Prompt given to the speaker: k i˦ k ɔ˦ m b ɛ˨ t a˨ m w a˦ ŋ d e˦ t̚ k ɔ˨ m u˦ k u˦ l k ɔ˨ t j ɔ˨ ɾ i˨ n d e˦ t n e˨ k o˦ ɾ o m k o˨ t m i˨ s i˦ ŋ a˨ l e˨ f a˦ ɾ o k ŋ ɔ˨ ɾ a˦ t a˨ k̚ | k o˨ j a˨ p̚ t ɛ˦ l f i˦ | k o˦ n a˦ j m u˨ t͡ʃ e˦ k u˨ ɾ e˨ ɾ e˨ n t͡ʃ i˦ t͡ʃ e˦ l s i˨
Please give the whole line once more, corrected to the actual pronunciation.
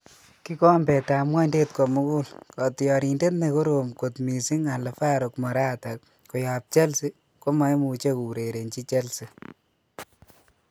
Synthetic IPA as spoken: k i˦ k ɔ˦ m b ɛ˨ t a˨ m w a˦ n d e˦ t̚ k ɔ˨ m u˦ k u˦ l k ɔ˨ t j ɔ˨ ɾ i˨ n d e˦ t n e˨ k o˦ ɾ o m k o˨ t m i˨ s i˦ ŋ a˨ l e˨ f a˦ ɾ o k m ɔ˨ ɾ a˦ t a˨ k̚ | k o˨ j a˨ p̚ t͡ʃ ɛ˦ l s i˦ | k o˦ m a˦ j m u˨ t͡ʃ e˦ k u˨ ɾ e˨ ɾ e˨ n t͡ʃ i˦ t͡ʃ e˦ l s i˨